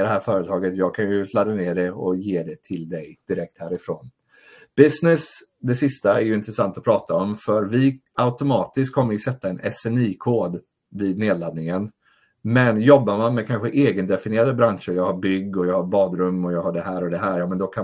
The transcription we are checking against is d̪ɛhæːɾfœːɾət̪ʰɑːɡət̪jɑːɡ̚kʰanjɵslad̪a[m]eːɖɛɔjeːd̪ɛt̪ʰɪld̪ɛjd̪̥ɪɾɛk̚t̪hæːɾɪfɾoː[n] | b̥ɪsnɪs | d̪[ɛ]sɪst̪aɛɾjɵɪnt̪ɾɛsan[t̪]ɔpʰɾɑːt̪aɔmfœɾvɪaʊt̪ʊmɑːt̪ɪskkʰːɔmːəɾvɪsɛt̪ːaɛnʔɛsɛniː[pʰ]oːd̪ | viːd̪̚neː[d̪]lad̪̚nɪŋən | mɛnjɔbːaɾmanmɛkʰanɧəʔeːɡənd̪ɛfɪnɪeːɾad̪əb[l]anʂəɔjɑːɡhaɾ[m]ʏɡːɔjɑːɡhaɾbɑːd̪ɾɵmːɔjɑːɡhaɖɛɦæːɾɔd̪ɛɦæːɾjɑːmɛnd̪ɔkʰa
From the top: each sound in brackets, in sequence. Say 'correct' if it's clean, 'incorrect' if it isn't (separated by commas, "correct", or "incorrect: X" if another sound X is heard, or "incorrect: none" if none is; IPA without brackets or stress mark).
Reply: incorrect: n, correct, correct, correct, incorrect: kʰ, correct, incorrect: ɾ, incorrect: b